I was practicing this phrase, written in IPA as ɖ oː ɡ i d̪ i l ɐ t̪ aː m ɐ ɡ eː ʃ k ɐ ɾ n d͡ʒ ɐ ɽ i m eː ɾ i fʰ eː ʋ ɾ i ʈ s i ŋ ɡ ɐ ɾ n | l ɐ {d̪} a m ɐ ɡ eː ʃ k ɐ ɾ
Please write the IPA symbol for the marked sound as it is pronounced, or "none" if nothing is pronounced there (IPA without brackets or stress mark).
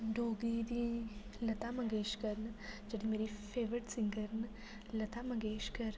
t̪